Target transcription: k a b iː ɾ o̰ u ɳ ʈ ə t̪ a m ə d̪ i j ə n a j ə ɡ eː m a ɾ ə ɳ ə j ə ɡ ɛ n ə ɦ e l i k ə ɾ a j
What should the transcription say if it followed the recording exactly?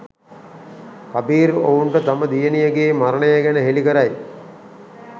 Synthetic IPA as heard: k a b iː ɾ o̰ u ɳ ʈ ə t̪ a m ə d̪ i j ə n i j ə ɡ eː m a ɾ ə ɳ ə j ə ɡ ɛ n ə ɦ e l i k ə ɾ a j